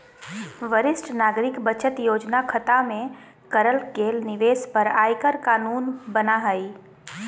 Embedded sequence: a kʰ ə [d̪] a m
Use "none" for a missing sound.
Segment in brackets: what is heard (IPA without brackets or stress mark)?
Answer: t̪